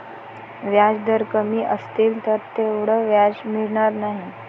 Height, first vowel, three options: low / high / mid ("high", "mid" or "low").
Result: low